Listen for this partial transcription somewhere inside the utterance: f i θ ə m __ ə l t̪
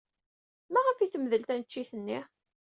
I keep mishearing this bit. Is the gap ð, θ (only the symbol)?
ð